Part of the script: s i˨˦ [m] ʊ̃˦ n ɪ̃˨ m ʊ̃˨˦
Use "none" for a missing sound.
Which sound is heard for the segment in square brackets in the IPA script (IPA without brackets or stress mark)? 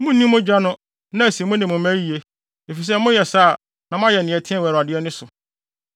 m